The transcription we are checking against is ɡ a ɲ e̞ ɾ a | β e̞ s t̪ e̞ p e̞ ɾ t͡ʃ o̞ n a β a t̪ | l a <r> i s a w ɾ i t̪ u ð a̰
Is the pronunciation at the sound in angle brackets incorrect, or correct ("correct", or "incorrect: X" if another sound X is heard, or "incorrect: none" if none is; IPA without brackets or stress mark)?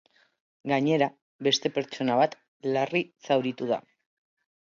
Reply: correct